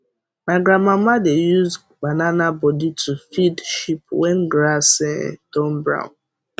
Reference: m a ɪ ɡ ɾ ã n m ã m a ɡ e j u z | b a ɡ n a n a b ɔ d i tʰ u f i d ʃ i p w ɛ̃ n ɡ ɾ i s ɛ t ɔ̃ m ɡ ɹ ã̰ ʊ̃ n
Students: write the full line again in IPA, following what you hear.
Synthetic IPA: m a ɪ ɡ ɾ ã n m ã m a d e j u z | b a n a n a b ɔ d i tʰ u f i d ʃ i p w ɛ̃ n ɡ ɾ a s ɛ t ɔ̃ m b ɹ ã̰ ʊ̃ n